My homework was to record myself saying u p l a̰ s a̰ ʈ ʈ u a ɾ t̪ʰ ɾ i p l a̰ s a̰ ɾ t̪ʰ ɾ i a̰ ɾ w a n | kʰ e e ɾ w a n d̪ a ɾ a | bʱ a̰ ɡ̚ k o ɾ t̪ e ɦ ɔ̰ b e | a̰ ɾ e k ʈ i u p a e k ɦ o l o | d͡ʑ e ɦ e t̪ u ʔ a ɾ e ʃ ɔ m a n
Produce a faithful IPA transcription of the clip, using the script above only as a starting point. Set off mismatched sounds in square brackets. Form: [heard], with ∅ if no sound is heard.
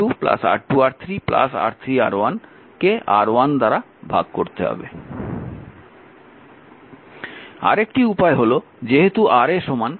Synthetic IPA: u p l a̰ s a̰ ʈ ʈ u a ɾ t̪ʰ ɾ i p l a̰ s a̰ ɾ t̪ʰ ɾ i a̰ ɾ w a n | [k] e [a] ɾ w a n d̪ a ɾ a | bʱ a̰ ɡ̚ k o ɾ t̪ e ɦ ɔ̰ b e | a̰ ɾ e k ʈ i u p a e [∅] ɦ o l o | d͡ʑ e ɦ e t̪ u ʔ a ɾ e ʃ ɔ m a n